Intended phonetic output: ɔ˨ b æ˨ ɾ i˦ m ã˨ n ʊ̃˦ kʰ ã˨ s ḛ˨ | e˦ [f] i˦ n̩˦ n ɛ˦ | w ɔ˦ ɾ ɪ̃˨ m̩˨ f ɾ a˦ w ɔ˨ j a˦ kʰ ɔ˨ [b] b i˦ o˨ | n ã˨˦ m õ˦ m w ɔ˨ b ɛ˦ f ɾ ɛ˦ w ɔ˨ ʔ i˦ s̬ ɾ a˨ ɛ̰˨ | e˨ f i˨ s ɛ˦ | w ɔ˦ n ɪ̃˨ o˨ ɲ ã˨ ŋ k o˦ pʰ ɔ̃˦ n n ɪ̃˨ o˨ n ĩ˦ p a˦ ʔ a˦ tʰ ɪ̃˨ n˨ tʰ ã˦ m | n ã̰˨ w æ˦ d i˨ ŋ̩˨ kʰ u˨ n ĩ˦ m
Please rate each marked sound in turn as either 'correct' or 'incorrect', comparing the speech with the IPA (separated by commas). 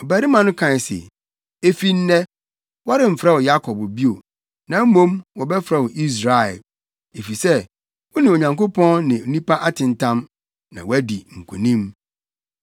correct, correct